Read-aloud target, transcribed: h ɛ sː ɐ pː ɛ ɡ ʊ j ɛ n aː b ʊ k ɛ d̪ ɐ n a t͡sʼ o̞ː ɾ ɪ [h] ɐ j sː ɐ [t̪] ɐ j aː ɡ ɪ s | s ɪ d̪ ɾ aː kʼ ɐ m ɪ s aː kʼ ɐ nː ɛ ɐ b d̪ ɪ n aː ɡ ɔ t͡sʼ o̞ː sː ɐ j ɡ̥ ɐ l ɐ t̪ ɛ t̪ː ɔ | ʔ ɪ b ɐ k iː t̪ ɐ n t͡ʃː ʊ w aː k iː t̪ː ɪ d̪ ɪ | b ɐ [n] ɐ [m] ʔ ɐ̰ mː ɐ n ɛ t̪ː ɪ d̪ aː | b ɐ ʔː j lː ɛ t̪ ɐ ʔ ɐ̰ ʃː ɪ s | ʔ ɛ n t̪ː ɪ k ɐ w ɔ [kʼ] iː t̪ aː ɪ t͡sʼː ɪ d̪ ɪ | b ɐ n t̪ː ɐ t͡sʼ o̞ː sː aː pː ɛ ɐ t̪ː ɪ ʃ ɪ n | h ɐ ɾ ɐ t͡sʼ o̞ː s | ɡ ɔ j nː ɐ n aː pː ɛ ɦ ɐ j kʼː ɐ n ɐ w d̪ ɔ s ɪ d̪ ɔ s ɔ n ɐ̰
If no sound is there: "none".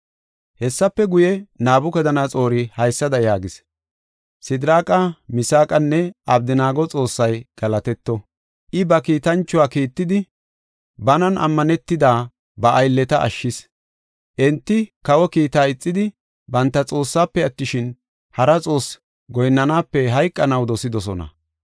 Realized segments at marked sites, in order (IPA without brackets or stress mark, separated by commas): h, d̪, n, n, k